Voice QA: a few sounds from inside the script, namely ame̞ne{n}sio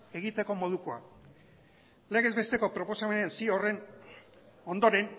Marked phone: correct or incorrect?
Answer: correct